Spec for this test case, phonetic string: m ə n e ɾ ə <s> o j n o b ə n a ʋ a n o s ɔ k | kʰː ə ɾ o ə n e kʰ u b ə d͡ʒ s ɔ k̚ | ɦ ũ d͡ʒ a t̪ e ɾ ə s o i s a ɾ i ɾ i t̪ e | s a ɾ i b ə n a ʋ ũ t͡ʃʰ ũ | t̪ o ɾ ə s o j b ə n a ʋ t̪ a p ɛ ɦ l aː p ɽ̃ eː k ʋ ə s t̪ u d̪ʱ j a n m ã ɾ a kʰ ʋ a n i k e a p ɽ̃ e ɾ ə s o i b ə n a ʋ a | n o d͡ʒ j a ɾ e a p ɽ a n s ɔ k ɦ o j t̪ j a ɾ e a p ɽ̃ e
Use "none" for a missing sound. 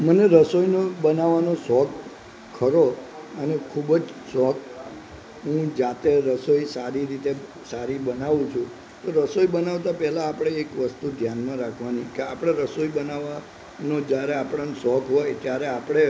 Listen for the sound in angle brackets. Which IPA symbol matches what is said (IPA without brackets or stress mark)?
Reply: s